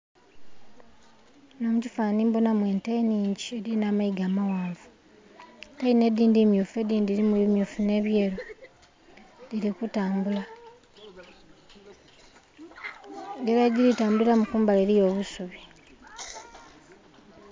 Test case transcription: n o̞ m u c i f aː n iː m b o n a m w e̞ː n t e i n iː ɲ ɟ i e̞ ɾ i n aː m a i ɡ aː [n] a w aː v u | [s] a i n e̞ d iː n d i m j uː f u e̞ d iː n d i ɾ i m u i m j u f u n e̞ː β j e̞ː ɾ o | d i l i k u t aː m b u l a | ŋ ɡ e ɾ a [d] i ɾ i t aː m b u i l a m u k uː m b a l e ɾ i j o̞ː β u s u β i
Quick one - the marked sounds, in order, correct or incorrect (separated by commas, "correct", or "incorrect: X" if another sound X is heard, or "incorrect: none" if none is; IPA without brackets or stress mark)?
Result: incorrect: m, incorrect: t, incorrect: ɟ